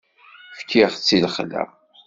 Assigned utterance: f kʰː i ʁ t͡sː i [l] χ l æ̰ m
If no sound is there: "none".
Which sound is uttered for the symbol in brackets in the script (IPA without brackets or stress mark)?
l